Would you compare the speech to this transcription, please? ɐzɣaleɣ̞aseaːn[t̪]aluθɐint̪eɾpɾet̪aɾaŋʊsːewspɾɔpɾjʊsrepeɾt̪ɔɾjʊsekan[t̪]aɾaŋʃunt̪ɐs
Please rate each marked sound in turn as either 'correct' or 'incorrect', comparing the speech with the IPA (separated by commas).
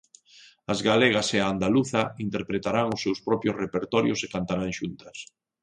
incorrect, correct